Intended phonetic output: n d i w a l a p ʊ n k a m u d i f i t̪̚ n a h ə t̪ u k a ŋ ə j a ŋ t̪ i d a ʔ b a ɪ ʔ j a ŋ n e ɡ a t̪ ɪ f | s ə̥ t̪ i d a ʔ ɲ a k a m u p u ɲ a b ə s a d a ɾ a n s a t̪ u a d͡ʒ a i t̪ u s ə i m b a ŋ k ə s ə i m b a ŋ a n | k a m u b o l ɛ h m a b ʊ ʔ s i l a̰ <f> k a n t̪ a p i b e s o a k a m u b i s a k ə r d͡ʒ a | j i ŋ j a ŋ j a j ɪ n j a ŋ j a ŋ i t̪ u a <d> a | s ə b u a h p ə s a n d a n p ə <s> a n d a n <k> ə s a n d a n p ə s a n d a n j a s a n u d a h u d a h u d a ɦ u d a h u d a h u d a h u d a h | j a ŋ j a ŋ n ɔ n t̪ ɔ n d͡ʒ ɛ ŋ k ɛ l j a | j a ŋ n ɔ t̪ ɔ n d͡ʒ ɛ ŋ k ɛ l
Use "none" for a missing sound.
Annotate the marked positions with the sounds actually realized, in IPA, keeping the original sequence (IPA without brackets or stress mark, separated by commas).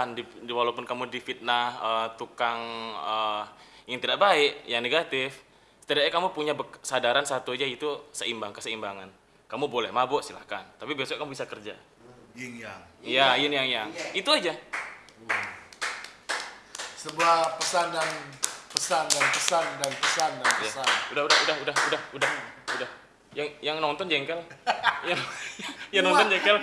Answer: h, d͡ʒ, s, p